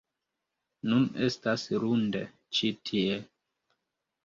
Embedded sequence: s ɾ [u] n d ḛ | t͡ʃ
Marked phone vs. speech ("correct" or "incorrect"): correct